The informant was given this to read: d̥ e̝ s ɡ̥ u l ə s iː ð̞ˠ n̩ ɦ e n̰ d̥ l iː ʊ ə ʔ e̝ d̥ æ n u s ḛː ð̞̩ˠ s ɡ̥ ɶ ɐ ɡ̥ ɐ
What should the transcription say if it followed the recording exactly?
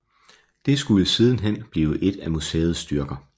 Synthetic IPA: d̥ e̝ s ɡ̥ u l ə s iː ð̞ˠ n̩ ɦ e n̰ b̥ l iː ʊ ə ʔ e̝ d̥ æ m u s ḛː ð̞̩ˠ s d̥ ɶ ɐ ɡ̥ ɐ